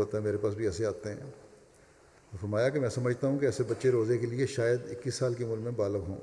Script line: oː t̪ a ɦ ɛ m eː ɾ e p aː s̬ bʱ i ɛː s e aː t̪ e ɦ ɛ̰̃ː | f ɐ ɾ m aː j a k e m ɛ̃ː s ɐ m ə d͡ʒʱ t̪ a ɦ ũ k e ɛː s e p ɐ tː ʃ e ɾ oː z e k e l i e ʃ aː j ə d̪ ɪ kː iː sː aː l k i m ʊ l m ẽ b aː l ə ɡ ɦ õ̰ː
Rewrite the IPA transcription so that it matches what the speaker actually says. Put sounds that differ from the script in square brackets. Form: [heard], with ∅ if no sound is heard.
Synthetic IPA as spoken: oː t̪ a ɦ ɛ m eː ɾ e p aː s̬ bʱ i ɛː s e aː t̪ e ɦ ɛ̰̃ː | f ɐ ɾ m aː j a k e m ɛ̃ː s ɐ m ə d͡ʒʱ t̪ a ɦ ũ k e ɛː s e [b] ɐ tː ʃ e ɾ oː z e k e l i e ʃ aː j ə d̪ ɪ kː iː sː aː l k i m ʊ l m ẽ b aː l ə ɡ ɦ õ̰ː